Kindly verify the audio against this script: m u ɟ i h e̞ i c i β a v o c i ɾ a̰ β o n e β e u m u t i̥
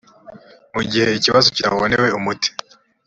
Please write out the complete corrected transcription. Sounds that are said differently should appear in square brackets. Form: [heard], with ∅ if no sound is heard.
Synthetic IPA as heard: m u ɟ i h e̞ i c i β a [z] o c i ɾ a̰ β o n e [w] e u m u t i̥